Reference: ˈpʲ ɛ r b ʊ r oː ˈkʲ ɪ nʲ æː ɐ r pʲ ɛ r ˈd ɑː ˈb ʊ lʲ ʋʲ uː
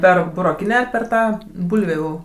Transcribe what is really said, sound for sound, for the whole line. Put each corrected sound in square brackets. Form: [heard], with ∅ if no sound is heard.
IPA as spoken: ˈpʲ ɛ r b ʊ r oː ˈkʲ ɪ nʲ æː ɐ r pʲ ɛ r [ˈt] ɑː ˈb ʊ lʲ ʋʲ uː